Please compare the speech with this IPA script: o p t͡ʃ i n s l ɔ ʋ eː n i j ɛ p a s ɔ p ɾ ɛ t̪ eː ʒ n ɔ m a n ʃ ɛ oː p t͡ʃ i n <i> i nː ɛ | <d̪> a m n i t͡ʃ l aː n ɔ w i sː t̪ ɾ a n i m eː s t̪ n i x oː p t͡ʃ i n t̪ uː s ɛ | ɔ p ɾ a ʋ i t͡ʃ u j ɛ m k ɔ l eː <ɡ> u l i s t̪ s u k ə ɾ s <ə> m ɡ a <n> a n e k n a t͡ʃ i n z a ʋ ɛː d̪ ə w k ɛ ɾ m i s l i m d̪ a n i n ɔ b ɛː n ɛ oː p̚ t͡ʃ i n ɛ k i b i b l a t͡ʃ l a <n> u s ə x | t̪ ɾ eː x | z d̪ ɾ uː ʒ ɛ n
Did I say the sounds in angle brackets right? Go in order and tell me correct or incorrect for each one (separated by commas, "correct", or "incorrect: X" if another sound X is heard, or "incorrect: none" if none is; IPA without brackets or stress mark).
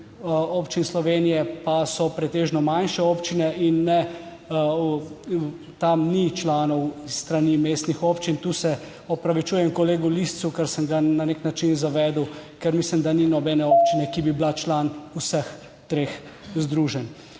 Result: incorrect: ɛ, incorrect: t̪, correct, correct, correct, correct